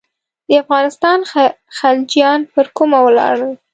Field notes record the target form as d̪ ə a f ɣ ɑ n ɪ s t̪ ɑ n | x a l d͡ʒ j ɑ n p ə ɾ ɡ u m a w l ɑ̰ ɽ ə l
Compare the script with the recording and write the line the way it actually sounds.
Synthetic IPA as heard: d̪ ə a f ɣ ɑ n ɪ s t̪ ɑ n | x a l d͡ʒ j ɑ n p ə ɾ k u m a w l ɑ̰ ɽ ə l